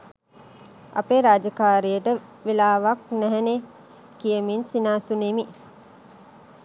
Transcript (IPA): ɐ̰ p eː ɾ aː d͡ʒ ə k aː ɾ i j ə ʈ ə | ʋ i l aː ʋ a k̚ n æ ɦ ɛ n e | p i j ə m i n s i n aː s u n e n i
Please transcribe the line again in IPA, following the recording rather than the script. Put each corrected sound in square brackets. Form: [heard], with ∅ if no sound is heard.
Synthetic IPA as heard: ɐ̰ p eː ɾ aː d͡ʒ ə k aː ɾ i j ə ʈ ə | ʋ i l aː ʋ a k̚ n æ ɦ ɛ n e | [k] i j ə m i n s i n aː s u n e [m] i

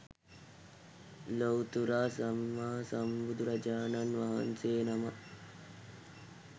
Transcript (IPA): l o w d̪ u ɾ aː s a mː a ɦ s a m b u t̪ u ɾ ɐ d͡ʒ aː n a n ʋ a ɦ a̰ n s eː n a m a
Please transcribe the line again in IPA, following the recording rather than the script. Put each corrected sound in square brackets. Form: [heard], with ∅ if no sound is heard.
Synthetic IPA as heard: l o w [t̪] u ɾ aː s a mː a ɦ s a m b u [d̪] u ɾ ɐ d͡ʒ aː n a n ʋ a ɦ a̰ n s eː n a m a

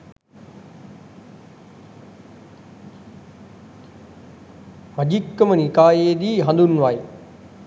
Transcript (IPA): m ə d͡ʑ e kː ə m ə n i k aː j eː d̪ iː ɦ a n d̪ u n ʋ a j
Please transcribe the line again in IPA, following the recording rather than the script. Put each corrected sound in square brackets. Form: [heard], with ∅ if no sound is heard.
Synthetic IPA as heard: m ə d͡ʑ [i] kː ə m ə n i k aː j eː d̪ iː ɦ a n d̪ u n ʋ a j

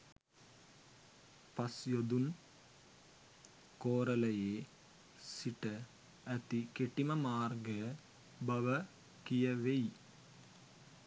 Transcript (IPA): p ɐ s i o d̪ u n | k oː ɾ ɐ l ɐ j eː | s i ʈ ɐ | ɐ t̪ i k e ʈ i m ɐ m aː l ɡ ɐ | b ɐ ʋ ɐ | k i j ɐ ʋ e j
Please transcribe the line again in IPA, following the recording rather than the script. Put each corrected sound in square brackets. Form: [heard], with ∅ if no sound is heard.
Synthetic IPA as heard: p ɐ s [j] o d̪ u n | k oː ɾ ɐ l ɐ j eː | s i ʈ ɐ | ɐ t̪ i k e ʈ i m ɐ m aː [r] ɡ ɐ | b ɐ ʋ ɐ | k i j ɐ ʋ e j

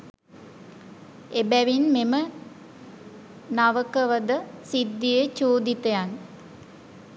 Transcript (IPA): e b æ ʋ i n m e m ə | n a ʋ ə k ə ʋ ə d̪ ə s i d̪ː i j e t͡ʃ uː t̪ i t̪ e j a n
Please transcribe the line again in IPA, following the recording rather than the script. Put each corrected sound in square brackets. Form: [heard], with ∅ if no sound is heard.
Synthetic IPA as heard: e b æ ʋ i n m e m ə | n a ʋ ə k ə ʋ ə d̪ ə s i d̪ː i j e t͡ʃ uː [d̪] i t̪ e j a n

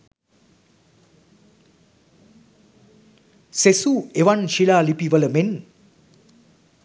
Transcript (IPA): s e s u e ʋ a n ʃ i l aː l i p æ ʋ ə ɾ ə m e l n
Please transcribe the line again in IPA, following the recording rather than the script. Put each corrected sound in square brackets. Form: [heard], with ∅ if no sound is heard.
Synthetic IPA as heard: s e s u e ʋ a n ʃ i l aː l i p [i] ʋ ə [l] ə m e [∅] n

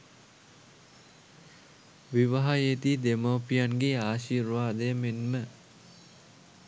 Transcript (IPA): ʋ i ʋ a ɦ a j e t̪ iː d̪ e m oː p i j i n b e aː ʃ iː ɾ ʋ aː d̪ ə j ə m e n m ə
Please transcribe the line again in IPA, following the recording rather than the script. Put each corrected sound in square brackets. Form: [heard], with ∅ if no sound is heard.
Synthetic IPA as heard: ʋ i ʋ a ɦ a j e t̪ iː d̪ e m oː p i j [a] n [ɡ] e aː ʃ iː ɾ ʋ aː d̪ ə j ə m e n m ə

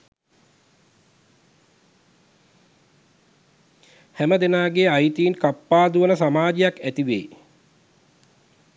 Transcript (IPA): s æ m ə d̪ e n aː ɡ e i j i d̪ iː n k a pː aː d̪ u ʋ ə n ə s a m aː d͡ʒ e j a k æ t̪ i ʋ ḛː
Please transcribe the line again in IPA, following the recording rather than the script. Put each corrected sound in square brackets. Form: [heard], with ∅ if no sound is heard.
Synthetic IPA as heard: [h] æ m ə d̪ e n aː ɡ e [a] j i [t̪] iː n k a pː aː d̪ u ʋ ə n ə s a m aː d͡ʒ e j a k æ t̪ i ʋ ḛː

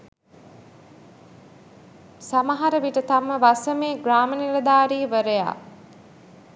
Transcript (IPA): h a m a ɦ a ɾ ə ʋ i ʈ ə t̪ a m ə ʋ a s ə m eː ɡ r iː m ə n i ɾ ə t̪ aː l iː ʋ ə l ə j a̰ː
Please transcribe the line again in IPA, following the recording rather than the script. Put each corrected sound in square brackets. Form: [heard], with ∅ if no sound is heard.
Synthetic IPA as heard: [s] a m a ɦ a ɾ ə ʋ i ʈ ə t̪ a m ə ʋ a s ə m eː ɡ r [aː] m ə n i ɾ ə [d̪] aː [ɾ] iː ʋ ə [ɾ] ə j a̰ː

